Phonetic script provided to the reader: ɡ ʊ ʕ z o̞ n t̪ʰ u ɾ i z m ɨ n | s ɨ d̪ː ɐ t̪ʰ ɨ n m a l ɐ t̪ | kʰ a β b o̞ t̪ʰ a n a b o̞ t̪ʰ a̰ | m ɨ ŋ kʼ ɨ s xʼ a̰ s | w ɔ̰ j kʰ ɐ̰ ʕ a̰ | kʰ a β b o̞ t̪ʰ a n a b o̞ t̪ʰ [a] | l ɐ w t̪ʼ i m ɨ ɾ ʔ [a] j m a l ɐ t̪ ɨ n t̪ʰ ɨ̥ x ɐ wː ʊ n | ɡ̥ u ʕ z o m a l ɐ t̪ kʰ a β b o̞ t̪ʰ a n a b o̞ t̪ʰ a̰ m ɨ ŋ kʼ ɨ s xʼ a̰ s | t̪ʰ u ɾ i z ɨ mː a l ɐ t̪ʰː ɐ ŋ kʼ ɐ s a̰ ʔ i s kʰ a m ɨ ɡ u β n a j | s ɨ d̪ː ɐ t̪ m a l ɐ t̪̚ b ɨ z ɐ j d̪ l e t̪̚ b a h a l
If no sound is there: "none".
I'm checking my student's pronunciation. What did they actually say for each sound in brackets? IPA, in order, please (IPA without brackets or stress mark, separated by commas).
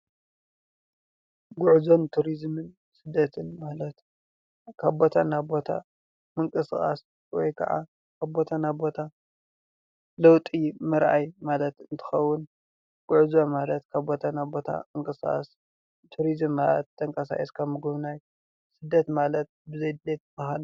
a, a